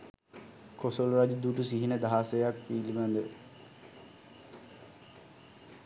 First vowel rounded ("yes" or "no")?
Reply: yes